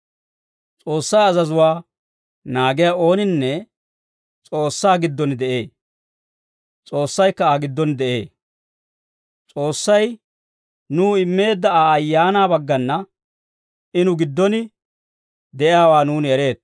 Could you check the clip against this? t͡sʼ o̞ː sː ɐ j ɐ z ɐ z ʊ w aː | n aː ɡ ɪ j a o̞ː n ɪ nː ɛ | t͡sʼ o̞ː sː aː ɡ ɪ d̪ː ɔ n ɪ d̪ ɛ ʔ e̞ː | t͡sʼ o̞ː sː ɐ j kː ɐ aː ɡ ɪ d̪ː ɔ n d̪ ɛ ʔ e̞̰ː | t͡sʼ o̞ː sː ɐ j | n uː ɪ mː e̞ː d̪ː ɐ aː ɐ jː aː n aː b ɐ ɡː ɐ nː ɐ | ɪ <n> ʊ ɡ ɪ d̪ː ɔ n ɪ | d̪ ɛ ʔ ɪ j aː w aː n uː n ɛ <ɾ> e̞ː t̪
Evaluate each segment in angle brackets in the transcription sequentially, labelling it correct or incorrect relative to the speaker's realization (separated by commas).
correct, correct